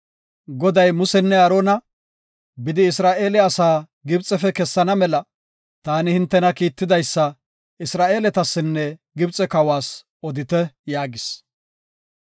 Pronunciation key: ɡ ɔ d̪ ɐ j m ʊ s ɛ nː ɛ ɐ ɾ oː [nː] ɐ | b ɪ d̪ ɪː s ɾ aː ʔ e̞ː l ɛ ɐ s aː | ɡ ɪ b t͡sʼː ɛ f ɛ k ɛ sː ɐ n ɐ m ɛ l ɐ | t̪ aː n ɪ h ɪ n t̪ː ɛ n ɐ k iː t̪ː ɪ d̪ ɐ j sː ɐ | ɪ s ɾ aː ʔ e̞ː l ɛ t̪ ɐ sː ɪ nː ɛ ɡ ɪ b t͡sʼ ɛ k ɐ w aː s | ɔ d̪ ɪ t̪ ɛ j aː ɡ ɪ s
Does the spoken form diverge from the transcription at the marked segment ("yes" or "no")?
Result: yes